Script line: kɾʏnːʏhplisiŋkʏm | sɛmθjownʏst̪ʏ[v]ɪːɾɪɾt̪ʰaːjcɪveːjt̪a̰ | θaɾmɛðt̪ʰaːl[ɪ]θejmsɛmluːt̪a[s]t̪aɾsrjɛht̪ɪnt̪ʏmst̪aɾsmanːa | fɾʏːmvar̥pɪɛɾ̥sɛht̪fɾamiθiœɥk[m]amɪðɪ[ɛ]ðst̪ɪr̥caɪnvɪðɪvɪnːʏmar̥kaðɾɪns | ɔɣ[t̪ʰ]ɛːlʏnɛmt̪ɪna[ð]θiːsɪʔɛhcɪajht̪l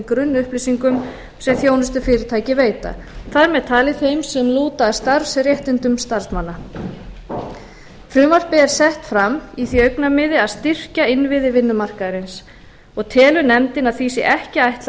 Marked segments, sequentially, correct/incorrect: incorrect, correct, correct, incorrect, incorrect, correct, correct

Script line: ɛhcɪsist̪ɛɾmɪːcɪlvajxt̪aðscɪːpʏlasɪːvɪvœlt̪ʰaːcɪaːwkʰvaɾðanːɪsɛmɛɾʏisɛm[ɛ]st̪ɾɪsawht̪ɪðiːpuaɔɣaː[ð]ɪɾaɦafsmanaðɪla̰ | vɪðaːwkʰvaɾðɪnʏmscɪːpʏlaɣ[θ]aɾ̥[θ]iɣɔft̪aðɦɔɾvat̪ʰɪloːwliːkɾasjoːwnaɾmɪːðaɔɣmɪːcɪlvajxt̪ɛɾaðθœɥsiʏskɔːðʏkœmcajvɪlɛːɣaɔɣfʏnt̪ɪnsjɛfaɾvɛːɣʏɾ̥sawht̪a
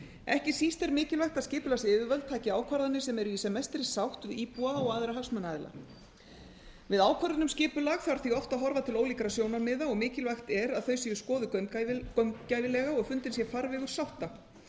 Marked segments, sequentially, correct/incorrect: correct, correct, correct, correct

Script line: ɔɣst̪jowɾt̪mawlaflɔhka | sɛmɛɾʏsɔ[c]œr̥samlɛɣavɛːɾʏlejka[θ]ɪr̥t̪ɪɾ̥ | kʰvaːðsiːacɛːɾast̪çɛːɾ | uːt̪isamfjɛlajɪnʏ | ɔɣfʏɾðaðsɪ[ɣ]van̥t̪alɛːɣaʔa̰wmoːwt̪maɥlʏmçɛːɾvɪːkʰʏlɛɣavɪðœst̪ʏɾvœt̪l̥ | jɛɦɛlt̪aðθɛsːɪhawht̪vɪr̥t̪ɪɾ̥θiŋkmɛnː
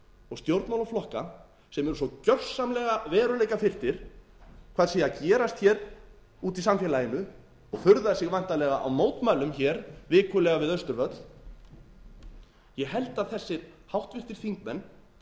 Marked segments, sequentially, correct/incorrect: correct, incorrect, correct

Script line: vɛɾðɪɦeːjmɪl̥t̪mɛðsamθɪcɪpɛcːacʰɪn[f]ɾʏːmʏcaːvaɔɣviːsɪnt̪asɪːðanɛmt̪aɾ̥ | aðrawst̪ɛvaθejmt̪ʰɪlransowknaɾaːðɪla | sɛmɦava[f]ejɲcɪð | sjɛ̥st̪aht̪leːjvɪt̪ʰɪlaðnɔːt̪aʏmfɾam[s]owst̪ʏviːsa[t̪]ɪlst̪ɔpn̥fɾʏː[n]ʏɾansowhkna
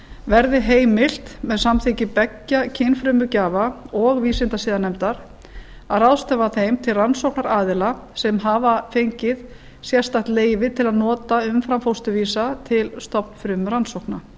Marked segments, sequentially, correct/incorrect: correct, correct, incorrect, incorrect, incorrect

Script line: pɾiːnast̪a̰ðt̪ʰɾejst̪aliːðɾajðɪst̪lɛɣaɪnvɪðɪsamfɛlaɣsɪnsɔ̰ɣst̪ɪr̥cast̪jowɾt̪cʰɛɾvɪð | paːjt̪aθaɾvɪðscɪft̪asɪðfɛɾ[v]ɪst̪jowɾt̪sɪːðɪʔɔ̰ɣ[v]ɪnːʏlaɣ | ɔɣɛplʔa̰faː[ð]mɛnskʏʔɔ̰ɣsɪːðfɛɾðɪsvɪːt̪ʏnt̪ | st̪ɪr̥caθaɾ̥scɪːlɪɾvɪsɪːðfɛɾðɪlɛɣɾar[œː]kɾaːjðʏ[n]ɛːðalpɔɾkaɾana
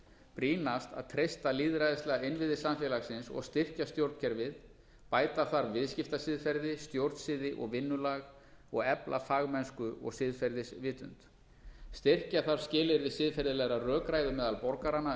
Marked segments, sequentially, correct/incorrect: incorrect, correct, incorrect, correct, incorrect

